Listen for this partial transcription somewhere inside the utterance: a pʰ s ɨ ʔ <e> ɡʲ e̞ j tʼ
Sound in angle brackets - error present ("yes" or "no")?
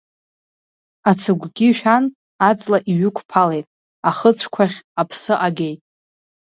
yes